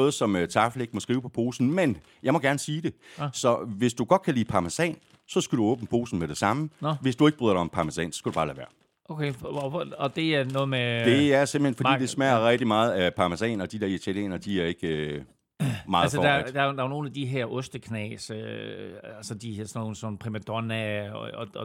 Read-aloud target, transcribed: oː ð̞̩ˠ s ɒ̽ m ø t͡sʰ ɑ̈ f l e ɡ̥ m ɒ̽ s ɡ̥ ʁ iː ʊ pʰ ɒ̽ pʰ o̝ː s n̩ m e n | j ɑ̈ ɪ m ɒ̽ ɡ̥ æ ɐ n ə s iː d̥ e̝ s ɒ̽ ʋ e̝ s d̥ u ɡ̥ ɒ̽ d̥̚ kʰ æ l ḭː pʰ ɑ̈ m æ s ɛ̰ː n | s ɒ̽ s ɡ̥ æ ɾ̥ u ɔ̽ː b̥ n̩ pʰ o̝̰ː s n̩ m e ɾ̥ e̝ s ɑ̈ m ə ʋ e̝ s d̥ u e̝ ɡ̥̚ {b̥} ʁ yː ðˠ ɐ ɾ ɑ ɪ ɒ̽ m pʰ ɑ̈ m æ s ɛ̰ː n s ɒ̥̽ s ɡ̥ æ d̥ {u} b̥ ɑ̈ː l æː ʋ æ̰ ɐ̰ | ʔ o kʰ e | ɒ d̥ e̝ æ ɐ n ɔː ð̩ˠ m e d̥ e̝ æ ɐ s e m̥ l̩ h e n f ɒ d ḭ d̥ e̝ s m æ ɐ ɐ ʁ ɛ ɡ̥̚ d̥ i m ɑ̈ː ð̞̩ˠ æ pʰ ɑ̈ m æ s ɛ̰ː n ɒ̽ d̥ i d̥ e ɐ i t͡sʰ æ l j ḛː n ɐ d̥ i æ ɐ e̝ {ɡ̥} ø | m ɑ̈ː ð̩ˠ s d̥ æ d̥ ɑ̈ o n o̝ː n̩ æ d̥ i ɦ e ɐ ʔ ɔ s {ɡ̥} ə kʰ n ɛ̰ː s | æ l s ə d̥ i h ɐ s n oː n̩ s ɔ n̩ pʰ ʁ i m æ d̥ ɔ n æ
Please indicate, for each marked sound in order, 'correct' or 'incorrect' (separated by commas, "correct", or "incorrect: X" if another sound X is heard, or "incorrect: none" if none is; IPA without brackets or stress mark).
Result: correct, correct, correct, incorrect: d̥